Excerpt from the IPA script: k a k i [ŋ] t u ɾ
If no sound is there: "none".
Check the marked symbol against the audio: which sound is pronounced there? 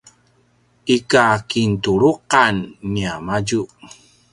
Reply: n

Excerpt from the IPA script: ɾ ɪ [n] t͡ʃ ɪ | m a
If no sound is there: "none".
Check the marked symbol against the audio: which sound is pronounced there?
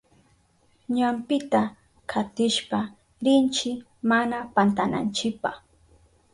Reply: n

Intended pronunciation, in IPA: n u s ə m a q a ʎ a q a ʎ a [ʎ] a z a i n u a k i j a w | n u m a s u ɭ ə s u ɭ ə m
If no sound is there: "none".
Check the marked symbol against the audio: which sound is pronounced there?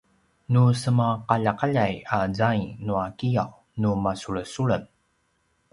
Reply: j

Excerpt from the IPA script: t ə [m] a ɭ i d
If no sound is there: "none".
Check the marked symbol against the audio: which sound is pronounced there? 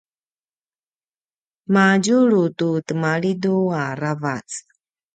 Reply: m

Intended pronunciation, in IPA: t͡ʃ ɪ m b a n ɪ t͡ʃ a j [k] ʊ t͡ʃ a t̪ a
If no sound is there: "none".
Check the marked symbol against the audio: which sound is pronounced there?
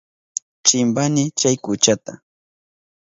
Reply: k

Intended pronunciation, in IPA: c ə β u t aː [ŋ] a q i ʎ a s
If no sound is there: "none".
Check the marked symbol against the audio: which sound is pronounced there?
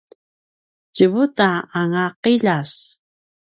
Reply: ŋ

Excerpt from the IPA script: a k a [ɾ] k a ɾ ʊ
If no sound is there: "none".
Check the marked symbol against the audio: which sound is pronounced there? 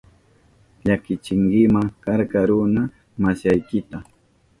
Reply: ɾ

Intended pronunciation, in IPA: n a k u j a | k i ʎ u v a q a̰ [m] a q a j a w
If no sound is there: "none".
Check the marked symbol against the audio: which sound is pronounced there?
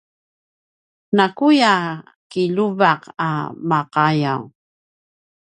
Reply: m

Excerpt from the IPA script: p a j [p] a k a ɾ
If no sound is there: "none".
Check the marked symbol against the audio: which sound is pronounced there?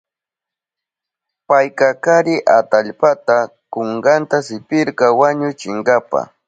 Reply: k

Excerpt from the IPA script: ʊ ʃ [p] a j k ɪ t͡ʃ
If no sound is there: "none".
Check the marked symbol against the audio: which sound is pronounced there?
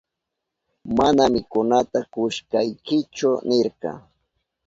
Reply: k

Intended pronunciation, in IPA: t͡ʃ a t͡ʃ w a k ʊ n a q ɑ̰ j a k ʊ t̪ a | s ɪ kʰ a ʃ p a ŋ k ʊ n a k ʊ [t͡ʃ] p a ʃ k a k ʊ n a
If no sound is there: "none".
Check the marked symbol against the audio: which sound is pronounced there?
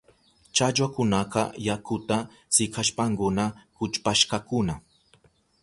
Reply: t͡ʃ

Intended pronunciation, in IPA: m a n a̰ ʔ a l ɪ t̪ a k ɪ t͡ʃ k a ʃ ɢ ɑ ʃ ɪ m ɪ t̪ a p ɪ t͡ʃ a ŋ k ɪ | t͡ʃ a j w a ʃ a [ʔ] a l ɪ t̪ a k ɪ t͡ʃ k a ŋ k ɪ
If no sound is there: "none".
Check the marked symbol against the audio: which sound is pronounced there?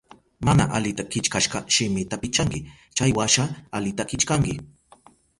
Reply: none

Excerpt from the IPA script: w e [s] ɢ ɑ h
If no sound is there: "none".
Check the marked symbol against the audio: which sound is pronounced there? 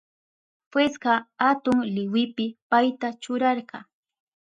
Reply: s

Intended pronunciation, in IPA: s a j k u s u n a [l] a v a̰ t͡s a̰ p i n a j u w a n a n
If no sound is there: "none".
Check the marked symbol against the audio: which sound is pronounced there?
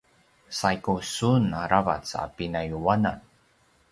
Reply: ɾ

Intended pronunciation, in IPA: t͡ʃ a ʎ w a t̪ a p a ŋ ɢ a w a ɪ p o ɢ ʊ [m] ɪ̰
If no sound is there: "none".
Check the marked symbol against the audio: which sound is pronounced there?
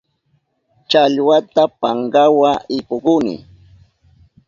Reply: n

